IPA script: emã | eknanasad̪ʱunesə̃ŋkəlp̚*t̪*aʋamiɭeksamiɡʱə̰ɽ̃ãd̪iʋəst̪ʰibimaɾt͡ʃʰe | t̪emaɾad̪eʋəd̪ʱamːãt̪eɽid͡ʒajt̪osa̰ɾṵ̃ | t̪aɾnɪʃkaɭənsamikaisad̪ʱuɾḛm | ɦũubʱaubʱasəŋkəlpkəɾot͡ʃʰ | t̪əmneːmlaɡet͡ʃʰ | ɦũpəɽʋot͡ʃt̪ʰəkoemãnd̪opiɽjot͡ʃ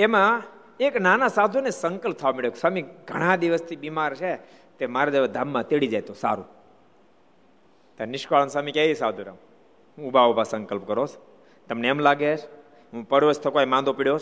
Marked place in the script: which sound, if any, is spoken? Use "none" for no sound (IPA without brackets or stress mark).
t̪ʰ